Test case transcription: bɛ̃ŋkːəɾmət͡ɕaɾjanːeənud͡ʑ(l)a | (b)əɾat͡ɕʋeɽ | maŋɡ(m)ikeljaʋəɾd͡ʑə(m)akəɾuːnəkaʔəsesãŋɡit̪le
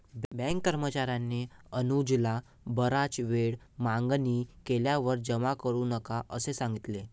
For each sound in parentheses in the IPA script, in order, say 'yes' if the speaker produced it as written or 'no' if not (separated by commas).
yes, yes, no, yes